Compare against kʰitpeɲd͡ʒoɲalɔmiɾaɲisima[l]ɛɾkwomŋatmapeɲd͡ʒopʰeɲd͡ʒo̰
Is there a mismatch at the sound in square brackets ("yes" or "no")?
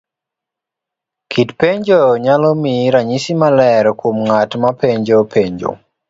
no